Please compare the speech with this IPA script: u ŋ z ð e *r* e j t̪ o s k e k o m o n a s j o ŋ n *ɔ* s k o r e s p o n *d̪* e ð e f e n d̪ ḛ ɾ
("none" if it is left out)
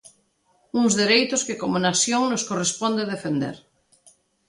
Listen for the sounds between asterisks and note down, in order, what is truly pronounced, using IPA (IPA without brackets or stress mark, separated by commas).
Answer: ɾ, o, d̪